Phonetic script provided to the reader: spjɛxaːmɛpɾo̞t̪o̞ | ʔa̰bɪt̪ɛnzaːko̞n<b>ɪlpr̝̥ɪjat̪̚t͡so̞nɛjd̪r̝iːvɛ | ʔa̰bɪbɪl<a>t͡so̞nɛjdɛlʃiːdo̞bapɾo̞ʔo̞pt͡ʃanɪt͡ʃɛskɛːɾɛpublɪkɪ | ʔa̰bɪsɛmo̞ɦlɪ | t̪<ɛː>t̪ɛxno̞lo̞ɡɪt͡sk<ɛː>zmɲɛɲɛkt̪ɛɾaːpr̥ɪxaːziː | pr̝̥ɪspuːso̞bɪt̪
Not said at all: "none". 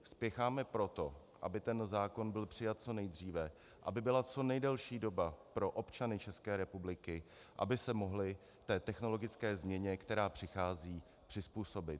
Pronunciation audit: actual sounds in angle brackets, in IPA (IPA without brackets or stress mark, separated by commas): b, a, ɛː, ɛː